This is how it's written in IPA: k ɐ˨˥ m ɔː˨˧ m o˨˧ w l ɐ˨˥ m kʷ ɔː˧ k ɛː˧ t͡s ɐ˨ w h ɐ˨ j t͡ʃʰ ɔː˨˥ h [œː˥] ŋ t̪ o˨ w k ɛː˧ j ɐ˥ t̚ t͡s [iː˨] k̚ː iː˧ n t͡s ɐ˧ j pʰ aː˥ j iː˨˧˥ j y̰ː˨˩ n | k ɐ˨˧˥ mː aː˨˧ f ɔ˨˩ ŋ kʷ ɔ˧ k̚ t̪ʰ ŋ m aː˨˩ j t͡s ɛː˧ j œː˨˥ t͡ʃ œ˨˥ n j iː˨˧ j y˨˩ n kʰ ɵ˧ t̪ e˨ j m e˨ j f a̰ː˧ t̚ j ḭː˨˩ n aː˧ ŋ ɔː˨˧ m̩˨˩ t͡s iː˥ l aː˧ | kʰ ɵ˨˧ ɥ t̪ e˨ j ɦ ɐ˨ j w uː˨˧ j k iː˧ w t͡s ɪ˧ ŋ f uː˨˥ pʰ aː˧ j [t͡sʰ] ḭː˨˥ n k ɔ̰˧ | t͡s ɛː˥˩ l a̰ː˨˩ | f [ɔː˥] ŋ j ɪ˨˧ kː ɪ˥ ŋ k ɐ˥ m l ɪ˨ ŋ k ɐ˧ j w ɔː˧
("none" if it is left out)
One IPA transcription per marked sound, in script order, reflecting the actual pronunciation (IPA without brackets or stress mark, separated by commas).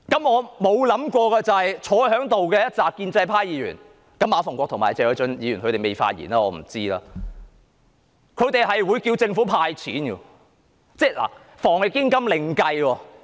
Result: œː˨˥, aː˨, t͡sʰ, ɔː˨˩